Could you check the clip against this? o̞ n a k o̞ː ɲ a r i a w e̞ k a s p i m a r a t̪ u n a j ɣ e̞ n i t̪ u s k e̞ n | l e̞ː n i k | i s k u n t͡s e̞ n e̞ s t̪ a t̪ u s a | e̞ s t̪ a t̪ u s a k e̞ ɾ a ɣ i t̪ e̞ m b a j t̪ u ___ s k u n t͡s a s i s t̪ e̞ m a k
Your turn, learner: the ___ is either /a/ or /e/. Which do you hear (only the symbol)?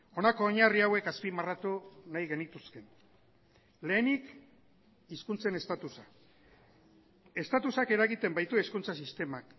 e